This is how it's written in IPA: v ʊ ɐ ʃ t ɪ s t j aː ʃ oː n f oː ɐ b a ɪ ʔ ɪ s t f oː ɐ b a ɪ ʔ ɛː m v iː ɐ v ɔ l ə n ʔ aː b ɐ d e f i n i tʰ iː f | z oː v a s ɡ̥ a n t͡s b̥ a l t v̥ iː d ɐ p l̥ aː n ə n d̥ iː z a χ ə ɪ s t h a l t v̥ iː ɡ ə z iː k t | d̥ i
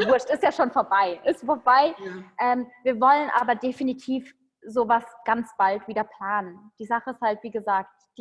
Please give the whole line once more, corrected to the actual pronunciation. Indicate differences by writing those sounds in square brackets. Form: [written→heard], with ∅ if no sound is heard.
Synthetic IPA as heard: v ʊ ɐ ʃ t ɪ s t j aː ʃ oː n f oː ɐ b a ɪ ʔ ɪ s t f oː ɐ b a ɪ ʔ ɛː m v iː ɐ v ɔ l ə n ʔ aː b ɐ d e f i n i tʰ iː f | z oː v a s ɡ̥ a n t͡s b̥ a l t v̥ iː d ɐ p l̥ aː n ə n d̥ iː z a χ ə ɪ s t h a l t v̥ iː ɡ ə z [iː→aː] k t | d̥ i